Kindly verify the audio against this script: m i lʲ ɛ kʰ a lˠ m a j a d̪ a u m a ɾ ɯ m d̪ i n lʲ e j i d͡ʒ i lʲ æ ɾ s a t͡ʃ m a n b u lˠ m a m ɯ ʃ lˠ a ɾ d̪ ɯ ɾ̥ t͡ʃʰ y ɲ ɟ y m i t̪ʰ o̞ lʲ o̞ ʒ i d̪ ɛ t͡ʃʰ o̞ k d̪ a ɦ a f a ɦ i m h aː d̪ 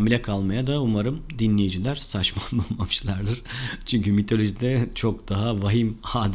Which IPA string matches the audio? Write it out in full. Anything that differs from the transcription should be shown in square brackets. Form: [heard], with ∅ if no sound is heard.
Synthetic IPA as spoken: m i lʲ ɛ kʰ a lˠ m a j a d̪ a u m a ɾ ɯ m d̪ i n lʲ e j i d͡ʒ i lʲ æ ɾ s a t͡ʃ m a n b u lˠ m a m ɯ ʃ lˠ a ɾ d̪ ɯ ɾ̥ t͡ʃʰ y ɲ [c] y m i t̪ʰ o̞ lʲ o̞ ʒ i d̪ ɛ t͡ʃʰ o̞ k d̪ a ɦ a [v] a ɦ i m h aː d̪